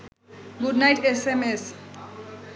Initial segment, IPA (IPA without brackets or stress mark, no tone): ɡ